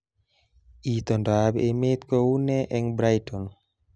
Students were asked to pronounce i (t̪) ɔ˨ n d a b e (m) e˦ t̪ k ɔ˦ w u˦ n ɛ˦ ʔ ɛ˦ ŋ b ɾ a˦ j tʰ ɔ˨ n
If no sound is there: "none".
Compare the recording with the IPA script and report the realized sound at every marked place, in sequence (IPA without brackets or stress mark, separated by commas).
t̪, m